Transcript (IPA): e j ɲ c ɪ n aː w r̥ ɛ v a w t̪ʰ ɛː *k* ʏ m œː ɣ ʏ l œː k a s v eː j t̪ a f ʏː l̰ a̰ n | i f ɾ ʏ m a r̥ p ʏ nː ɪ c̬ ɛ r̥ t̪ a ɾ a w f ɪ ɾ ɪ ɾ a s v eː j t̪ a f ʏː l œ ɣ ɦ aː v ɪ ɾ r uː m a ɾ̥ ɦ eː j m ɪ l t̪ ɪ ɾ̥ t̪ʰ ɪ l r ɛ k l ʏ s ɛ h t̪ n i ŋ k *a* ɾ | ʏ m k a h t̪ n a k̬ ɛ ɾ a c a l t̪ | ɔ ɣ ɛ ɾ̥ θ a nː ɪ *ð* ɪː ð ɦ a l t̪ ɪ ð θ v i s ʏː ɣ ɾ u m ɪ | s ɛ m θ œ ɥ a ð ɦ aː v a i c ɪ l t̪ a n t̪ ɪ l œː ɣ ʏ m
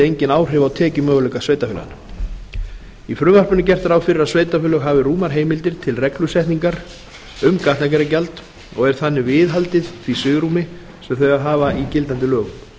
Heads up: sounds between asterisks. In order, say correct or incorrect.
incorrect: c, correct, incorrect: v

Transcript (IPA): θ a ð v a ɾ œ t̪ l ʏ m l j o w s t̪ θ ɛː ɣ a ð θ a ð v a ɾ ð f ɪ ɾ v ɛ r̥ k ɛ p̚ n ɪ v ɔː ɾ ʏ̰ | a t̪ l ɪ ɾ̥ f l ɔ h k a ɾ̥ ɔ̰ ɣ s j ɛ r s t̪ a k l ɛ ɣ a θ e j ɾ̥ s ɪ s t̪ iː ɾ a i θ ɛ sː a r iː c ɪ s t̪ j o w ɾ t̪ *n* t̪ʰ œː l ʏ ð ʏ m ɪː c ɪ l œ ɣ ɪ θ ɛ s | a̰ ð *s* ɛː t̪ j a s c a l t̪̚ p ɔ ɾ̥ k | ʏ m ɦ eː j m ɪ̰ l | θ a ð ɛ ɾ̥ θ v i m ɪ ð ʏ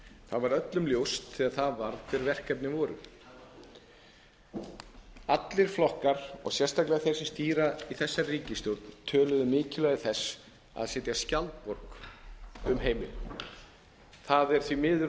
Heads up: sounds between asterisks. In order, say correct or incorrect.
correct, correct

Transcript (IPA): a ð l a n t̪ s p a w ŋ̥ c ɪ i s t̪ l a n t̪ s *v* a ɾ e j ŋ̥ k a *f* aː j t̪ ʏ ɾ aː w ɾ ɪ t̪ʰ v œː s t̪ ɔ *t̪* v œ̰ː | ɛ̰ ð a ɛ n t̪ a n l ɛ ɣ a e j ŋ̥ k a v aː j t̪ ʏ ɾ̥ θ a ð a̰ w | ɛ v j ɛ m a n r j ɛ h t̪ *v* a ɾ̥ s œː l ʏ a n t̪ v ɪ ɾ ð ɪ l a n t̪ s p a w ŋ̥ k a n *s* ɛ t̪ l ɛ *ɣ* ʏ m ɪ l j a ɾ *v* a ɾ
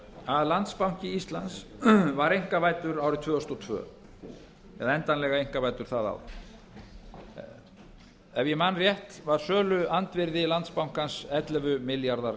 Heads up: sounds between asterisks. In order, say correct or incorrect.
correct, incorrect: v, incorrect: t̪ʰ, correct, correct, incorrect: v, incorrect: ð

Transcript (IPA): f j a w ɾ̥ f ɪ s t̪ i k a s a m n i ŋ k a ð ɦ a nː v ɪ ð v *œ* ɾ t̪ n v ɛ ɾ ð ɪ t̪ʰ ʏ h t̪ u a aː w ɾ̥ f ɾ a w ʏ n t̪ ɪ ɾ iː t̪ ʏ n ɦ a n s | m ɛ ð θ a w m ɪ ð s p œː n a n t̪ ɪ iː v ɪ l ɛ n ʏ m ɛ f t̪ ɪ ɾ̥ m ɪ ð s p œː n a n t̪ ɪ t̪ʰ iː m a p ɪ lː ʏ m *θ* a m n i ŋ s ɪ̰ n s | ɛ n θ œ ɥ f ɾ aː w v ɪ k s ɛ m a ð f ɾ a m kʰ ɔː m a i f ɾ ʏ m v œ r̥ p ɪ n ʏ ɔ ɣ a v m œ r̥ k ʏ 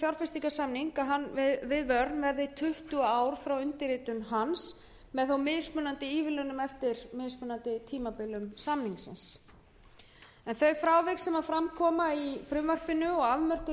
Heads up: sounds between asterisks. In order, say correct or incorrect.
correct, incorrect: s

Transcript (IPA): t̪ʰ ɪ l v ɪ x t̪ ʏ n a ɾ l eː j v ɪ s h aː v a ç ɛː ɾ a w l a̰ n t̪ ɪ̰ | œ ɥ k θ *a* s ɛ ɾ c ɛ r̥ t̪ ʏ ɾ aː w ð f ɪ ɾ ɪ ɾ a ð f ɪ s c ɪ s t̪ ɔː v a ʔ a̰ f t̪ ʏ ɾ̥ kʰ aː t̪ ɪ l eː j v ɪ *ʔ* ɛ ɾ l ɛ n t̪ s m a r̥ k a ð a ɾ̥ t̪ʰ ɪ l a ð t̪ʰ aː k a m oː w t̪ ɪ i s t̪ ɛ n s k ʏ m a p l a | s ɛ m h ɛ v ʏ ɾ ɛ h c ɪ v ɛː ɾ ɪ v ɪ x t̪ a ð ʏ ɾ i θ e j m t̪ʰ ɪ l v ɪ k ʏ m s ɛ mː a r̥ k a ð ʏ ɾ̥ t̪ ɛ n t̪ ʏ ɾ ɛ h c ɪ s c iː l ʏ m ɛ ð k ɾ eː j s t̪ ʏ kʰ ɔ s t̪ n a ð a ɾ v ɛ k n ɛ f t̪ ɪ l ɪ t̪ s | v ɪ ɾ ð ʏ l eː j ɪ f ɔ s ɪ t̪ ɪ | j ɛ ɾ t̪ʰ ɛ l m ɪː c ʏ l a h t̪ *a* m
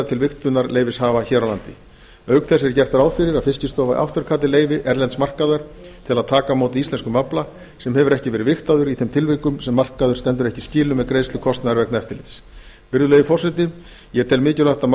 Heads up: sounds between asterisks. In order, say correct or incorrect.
incorrect: ɛ, correct, correct

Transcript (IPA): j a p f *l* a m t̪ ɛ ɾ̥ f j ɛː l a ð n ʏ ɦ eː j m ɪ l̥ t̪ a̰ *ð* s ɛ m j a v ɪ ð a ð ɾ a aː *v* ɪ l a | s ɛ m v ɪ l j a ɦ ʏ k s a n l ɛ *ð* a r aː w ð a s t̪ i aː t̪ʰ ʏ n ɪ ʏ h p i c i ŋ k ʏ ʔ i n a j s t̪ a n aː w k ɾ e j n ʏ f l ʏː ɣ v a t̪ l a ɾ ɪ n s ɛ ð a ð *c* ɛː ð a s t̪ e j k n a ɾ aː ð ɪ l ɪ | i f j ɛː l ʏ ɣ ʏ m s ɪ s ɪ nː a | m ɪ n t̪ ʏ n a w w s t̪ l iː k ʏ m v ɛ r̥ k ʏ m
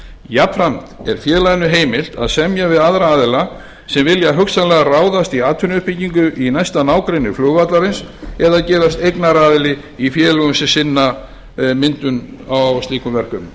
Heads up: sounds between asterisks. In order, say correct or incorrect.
incorrect: ɾ, correct, incorrect: ð, incorrect: ɣ, correct

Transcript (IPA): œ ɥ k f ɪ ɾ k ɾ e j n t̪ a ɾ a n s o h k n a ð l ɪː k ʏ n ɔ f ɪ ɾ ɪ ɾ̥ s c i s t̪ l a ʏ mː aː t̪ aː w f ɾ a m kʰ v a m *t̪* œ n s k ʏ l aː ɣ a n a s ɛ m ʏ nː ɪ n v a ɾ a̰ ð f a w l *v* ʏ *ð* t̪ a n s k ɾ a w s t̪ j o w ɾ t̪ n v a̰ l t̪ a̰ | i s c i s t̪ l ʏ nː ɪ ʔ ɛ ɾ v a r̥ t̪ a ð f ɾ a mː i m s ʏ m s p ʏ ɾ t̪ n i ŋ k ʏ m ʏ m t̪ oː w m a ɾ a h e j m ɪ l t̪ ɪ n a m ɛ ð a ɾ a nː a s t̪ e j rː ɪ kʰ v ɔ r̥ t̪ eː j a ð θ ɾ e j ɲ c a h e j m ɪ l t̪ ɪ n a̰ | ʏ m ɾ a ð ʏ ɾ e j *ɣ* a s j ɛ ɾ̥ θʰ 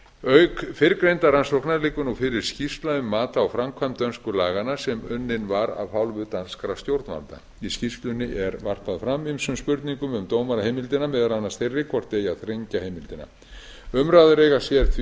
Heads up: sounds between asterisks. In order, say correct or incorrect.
correct, correct, correct, correct

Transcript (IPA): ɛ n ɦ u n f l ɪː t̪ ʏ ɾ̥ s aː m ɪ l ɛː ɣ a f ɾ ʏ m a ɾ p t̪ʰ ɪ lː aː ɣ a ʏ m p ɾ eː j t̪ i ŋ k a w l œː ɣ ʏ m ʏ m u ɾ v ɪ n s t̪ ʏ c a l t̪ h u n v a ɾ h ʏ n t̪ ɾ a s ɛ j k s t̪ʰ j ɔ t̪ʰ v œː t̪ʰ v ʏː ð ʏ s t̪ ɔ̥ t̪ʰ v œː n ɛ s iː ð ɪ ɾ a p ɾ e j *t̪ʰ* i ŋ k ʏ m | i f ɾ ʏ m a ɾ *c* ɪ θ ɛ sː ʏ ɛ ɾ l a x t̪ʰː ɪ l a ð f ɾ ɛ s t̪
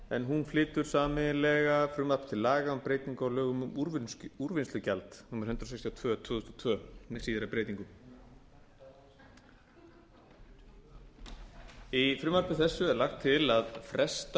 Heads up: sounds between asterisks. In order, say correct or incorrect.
incorrect: t̪, incorrect: p

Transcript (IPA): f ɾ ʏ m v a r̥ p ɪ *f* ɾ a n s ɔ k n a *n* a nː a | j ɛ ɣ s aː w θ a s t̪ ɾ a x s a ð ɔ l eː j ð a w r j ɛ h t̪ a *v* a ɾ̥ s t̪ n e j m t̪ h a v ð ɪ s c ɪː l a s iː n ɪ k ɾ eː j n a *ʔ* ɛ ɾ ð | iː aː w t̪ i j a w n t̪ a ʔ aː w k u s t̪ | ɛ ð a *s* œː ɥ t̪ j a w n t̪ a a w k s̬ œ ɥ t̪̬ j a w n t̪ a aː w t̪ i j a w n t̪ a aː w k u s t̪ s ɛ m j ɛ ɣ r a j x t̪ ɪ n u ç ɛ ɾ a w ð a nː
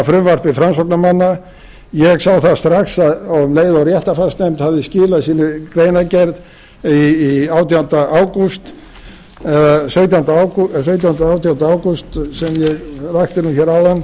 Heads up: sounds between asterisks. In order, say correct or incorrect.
correct, incorrect: m, incorrect: f, incorrect: c, correct

